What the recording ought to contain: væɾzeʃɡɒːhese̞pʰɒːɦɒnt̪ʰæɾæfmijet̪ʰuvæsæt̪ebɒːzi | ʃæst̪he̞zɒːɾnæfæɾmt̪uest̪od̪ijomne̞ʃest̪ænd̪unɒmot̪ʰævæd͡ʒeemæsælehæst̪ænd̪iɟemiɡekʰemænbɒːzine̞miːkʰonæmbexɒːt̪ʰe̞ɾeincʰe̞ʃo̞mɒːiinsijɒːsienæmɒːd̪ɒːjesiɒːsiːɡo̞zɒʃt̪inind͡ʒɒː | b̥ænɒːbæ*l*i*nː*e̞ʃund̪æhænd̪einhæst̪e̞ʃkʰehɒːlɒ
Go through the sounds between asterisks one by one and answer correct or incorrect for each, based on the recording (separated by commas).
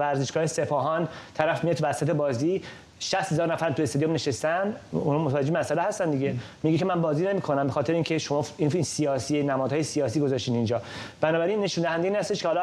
incorrect, correct